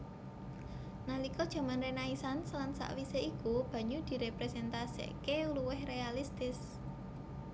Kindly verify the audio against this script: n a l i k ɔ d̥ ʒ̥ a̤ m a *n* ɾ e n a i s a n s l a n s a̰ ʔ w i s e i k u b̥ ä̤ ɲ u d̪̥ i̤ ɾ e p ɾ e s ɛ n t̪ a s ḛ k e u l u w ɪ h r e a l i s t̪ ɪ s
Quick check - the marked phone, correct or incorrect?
correct